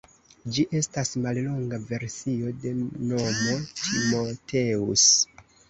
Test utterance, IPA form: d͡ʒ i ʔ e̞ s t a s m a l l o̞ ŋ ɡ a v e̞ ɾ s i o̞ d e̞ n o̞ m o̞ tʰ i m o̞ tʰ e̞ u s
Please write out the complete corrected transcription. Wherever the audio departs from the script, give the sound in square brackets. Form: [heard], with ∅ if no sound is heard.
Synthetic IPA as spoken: d͡ʒ i ʔ e̞ s t a s m a l l o̞ ŋ ɡ a v e̞ ɾ s i o̞ d e̞ n o̞ m o̞ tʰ i m o̞ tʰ e̞ u s